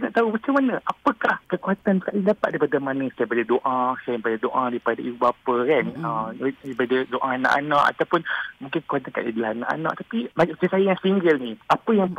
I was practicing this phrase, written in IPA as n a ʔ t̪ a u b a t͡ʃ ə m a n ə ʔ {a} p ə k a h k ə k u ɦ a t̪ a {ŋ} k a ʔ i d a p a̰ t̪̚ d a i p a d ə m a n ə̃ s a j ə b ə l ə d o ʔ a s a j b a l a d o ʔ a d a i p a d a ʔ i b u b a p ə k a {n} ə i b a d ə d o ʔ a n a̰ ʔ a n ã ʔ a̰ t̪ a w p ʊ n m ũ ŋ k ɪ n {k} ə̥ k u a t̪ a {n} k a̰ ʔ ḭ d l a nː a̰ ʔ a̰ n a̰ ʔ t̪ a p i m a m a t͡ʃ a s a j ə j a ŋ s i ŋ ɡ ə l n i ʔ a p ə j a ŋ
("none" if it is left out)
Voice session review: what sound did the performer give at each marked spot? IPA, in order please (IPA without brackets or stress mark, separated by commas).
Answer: a, n, n, k, n